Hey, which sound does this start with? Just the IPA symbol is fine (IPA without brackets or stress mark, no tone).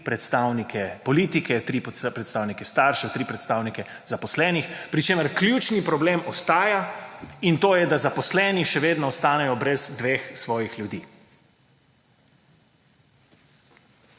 p